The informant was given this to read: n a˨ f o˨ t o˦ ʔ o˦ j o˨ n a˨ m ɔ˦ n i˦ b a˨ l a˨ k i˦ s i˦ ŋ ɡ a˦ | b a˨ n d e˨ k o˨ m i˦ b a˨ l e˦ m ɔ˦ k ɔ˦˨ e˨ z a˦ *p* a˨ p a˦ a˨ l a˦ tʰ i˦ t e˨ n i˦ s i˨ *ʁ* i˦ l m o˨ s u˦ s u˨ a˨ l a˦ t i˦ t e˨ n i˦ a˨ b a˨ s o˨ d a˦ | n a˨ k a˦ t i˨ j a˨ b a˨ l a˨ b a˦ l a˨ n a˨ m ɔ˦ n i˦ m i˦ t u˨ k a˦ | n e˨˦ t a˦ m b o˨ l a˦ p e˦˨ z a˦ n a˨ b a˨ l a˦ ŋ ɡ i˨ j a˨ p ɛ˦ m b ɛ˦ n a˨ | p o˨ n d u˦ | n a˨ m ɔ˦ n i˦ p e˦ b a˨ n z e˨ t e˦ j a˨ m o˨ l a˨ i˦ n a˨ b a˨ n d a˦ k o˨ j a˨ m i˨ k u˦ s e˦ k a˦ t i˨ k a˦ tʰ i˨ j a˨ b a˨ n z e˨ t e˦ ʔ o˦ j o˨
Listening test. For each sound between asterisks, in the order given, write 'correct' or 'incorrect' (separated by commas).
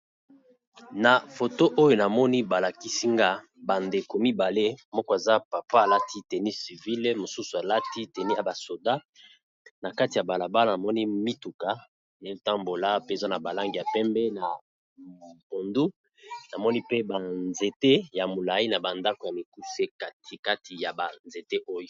correct, incorrect